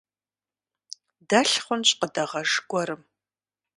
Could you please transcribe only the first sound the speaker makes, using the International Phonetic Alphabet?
d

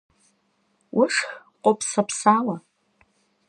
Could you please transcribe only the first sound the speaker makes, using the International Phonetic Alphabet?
w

